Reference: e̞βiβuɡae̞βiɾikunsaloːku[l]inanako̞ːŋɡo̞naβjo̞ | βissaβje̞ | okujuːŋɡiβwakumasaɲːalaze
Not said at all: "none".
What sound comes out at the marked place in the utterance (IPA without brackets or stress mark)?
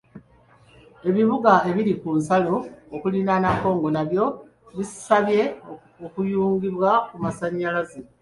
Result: l